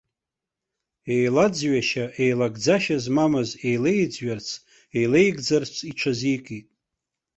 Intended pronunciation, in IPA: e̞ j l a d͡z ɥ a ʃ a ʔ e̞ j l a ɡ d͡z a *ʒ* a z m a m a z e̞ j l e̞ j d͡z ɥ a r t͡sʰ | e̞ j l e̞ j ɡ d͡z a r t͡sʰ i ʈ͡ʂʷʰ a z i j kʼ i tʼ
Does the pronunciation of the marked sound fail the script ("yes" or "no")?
yes